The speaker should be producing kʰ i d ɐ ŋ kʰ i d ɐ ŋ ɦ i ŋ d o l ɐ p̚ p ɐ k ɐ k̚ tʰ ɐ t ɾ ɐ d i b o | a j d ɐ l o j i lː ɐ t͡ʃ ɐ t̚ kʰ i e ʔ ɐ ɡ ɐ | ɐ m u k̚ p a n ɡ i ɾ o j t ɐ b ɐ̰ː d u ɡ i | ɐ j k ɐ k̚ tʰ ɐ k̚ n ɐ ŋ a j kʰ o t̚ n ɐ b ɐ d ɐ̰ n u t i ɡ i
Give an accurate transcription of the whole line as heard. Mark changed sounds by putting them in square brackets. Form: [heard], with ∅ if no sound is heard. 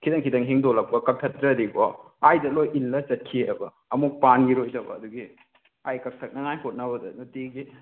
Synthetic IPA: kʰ i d ɐ ŋ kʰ i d ɐ ŋ ɦ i ŋ d o l ɐ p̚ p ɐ k ɐ k̚ tʰ ɐ t ɾ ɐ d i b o | a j d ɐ l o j i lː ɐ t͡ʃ ɐ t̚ kʰ i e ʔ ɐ [b] ɐ | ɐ m u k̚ p a n ɡ i ɾ o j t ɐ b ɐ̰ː d u ɡ i | [a] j k ɐ k̚ tʰ ɐ k̚ n ɐ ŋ a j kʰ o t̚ n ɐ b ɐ d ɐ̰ n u t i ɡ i